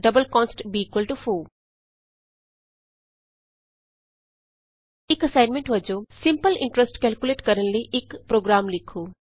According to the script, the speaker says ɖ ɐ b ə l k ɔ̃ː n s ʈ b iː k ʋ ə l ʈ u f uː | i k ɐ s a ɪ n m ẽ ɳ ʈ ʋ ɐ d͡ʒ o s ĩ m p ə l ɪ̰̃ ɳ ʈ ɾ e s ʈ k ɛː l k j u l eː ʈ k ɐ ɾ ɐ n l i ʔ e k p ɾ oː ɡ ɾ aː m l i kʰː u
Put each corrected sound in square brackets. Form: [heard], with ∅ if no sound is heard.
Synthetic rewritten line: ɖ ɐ b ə l k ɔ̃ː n s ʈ b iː k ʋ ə l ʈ u f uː | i k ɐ s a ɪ n m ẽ ɳ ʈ ʋ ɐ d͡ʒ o s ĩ m p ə l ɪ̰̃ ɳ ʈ ɾ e s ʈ k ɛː l k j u l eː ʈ k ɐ ɾ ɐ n l i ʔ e k p ɾ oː ɡ ɾ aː m l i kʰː u

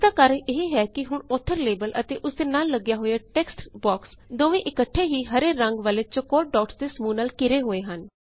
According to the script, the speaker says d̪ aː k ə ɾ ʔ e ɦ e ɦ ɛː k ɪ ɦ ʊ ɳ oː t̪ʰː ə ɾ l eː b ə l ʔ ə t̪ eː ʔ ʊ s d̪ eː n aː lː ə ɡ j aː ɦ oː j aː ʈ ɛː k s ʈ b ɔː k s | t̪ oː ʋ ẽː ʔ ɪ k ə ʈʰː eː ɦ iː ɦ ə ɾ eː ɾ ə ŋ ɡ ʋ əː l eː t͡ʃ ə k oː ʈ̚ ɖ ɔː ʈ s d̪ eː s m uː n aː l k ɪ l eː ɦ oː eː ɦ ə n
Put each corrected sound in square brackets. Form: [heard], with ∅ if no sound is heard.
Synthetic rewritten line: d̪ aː k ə ɾ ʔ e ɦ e ɦ ɛː k ɪ ɦ ʊ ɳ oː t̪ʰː ə ɾ l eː b ə l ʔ ə t̪ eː ʔ ʊ s d̪ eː n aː lː ə ɡ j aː ɦ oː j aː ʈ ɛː k s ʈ b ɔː k s | [d̪] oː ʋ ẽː ʔ ɪ k ə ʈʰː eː ɦ iː ɦ ə ɾ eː ɾ ə ŋ ɡ ʋ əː l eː t͡ʃ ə k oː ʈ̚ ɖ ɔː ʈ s d̪ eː s m uː n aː l k ɪ [ɾ] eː ɦ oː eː ɦ ə n

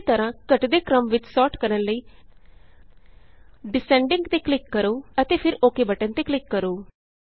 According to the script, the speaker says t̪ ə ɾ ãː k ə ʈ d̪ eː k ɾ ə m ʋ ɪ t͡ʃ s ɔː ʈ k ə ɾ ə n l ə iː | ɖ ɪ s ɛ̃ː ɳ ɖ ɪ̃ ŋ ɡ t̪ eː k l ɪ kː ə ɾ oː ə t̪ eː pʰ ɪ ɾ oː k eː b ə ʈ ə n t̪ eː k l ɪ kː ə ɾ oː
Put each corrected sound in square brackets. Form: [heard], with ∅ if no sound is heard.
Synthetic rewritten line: t̪ ə ɾ ãː k ə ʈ d̪ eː k ɾ ə m ʋ ɪ t͡ʃ s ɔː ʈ k ə ɾ ə n l ə iː | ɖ ɪ s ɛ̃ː ɳ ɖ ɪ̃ ŋ ɡ t̪ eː k l ɪ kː ə ɾ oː ə t̪ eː pʰ ɪ ɾ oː k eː b ə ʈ ə n t̪ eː k l ɪ kː ə ɾ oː

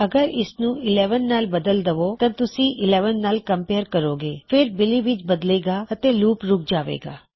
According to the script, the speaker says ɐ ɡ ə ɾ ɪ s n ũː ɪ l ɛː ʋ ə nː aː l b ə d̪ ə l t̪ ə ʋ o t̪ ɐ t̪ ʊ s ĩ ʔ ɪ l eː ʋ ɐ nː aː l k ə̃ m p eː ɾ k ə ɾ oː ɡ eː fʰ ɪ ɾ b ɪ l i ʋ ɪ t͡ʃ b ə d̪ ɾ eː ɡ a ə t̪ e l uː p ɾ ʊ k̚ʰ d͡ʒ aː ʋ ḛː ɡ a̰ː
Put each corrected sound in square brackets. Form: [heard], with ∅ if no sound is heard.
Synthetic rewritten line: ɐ ɡ ə ɾ ɪ s n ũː ɪ l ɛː ʋ ə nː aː l b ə d̪ ə l [d̪] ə ʋ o t̪ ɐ t̪ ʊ s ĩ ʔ ɪ l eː ʋ [ə] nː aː l k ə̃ m p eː ɾ k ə ɾ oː ɡ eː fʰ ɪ ɾ b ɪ l i ʋ ɪ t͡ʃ b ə d̪ [l] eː ɡ a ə t̪ e l uː p ɾ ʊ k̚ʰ d͡ʒ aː ʋ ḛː ɡ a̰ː

